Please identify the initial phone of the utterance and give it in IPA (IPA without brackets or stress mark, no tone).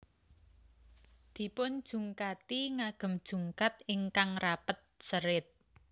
d̪̥